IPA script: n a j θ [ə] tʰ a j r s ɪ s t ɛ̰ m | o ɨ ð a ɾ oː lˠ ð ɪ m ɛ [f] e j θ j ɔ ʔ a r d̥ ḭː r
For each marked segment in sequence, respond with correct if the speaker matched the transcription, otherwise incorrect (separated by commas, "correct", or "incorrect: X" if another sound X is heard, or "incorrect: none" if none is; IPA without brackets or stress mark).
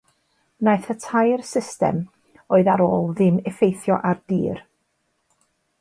correct, correct